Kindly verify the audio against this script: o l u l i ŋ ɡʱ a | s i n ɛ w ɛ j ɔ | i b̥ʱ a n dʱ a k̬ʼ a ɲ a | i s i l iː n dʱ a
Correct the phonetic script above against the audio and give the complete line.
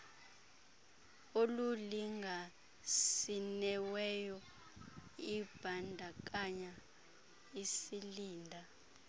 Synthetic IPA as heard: o l u l i ŋ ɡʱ a | s i n ɛ w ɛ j ɔ | i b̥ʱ a n dʱ a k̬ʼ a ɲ a | i s i l iː n dʱ a

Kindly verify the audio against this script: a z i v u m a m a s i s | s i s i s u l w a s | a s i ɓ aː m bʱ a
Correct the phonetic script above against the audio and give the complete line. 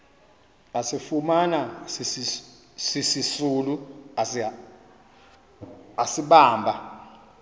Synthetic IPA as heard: a s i f u m a n a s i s | s i s i s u l u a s | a s i ɓ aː m bʱ a

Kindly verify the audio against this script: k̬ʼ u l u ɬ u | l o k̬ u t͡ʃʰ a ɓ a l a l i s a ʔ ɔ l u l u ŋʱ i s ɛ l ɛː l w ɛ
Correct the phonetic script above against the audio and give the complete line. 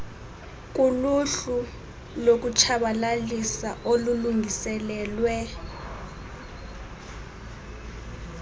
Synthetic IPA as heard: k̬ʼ u l u ɬ u | l o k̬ u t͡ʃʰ a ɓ a l a l i s a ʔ o l u l u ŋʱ i s ɛ l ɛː l w ɛ

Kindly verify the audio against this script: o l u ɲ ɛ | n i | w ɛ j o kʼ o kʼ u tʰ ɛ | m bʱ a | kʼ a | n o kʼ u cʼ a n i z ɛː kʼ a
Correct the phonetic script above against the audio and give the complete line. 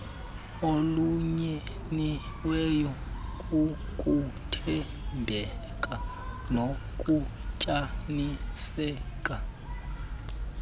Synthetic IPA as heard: o l u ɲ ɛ | n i | w ɛ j ɔ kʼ u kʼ u tʰ ɛ | m bʱ ɛ | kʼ a | n o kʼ u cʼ a n i s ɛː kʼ a

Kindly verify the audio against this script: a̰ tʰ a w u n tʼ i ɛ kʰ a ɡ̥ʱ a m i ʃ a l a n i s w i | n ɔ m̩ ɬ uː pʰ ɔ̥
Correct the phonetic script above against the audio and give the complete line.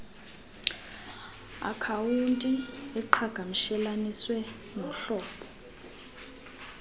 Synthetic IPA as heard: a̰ kʰ a w u n tʼ i ɛ ǃʰ a ɡ̥ʱ a m i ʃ ɛ l a n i s w ɛ | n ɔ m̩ ɬ ɔː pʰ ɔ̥

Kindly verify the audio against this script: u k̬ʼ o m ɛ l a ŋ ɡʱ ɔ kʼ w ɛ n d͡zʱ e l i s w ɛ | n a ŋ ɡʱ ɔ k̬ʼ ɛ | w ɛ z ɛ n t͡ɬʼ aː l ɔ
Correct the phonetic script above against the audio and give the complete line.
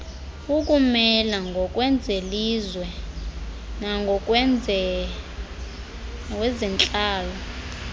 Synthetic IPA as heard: u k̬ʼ u m ɛ l a ŋ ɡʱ ɔ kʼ w ɛ n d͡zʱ e l i z w ɛ | n a ŋ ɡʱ ɔ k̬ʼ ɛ | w ɛ z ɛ n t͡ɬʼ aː l ɔ

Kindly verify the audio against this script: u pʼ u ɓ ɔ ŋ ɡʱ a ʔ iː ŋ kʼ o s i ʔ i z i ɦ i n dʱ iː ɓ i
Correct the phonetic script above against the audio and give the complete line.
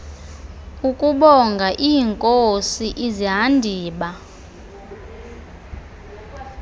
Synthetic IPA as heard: u kʼ u ɓ ɔ ŋ ɡʱ a ʔ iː ŋ kʼ o s i ʔ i z i ɦ a n dʱ iː ɓ a

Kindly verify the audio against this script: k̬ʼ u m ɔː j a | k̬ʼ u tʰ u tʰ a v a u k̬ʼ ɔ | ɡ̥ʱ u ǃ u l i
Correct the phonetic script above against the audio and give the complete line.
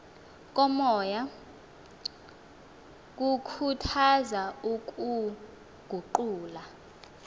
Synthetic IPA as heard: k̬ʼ ɔ m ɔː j a | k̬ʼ u kʰ u tʰ a z a u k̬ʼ u | ɡ̥ʱ u ǃ uː l a

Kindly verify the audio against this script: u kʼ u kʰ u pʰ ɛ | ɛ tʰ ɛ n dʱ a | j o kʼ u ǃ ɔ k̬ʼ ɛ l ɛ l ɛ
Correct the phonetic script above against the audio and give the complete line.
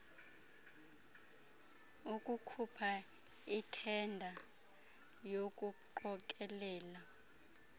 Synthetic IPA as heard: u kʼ u kʰ u pʰ a | i tʰ ɛ n dʱ a | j o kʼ u ǃ ɔ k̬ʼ ɛ l ɛː l a

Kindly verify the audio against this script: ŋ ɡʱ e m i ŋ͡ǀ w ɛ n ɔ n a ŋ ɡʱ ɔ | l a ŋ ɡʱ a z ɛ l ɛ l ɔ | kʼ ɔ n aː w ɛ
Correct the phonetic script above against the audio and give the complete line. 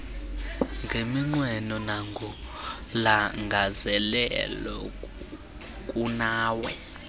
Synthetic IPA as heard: ŋ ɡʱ e m i ŋ͡ǀ w ɛ n ɔ n a ŋ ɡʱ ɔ | l a ŋ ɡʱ a z ɛ l ɛ l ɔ | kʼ u n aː w ɛ

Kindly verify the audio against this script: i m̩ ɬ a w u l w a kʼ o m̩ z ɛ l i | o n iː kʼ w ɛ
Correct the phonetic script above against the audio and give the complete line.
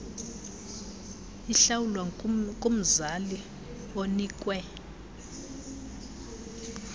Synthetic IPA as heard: i ɬ a w u l w a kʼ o m̩ z a l i | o n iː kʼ w ɛ

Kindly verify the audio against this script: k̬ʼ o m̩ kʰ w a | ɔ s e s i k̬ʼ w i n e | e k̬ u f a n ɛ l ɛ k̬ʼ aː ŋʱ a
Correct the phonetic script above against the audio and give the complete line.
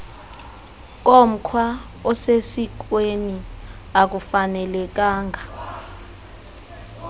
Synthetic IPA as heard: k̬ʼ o m̩ kʰ w a | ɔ s e s i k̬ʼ w e n i | a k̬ u f a n ɛ l ɛ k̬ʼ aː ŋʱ a

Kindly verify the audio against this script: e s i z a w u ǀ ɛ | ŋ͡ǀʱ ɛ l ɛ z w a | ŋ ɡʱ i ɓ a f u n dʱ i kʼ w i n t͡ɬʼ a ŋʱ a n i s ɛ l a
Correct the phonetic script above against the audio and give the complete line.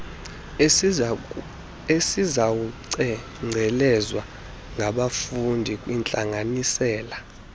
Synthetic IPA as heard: e s i z a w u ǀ ɛ | ŋ͡ǀʱ ɛ l ɛ z w a | ŋ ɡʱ a ɓ a f u n dʱ i kʼ w i n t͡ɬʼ a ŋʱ a n i s ɛː l a

